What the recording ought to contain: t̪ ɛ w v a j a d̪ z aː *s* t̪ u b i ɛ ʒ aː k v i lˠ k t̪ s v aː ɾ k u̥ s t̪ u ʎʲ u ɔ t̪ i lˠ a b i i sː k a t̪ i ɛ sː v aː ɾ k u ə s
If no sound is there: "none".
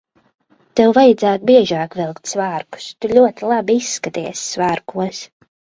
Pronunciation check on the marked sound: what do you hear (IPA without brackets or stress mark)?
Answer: none